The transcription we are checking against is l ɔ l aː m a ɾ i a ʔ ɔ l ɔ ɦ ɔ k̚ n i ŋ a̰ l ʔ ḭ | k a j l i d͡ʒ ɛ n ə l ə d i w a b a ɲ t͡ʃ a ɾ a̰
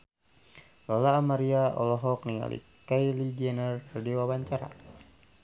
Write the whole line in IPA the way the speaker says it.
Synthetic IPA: l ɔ l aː m a ɾ i a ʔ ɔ l ɔ ɦ ɔ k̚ n i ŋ a̰ l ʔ ḭ | k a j l i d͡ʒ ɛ n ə r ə d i w a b a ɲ t͡ʃ a ɾ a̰